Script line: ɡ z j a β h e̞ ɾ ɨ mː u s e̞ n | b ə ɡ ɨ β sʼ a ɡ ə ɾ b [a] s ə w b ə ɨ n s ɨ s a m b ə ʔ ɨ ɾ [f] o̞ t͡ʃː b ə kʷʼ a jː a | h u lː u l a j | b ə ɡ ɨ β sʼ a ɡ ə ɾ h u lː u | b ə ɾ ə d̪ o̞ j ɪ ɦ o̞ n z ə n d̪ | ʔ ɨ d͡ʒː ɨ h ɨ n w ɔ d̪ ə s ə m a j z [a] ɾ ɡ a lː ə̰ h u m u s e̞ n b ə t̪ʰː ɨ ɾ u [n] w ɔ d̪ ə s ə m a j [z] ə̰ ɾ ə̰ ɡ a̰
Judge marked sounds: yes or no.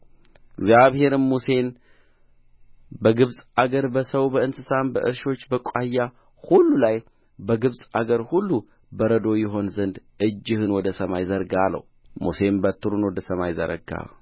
no, no, no, yes, yes

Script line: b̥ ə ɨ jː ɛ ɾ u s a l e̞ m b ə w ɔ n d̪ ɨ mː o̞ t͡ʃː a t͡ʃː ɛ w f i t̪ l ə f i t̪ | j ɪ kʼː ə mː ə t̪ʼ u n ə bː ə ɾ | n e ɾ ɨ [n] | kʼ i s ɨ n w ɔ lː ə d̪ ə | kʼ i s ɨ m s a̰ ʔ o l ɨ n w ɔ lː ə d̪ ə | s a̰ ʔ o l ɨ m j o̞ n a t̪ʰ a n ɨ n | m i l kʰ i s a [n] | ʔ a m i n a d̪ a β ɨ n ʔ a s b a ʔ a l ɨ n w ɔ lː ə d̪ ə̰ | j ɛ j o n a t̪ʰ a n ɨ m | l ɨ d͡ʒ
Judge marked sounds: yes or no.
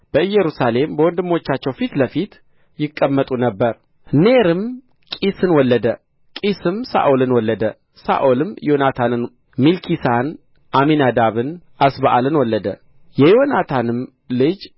no, yes

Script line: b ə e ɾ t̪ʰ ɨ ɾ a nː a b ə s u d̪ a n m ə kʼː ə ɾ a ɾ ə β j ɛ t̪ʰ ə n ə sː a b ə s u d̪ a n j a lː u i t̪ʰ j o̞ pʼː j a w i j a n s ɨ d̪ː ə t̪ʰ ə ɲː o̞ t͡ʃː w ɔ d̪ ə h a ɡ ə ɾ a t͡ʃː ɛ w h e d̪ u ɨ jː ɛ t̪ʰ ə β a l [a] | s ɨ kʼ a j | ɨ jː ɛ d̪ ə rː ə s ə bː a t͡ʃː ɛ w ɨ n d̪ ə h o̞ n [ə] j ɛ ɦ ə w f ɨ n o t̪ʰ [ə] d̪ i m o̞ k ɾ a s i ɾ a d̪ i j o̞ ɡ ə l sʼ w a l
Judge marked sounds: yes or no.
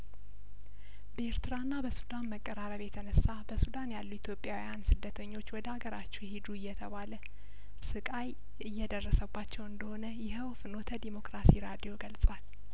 no, yes, yes

